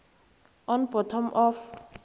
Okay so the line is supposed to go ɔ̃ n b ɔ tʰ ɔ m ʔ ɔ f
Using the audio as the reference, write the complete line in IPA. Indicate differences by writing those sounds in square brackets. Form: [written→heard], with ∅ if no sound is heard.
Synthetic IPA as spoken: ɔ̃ n b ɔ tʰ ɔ m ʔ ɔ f